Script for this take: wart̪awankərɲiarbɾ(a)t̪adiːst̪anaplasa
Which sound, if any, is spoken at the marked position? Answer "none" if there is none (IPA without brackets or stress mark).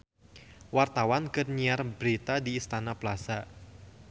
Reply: i